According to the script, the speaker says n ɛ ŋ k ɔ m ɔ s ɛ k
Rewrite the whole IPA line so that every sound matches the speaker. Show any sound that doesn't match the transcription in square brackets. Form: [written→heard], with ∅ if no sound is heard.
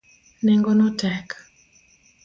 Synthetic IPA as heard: n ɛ ŋ [k→ɡ] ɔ [m→n] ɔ [s→t] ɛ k